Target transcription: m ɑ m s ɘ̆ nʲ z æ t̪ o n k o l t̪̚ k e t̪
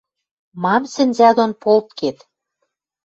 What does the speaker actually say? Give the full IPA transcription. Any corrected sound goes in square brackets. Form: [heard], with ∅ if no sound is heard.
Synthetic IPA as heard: m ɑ m s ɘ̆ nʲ z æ [d̪] o n [p] o l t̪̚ k e t̪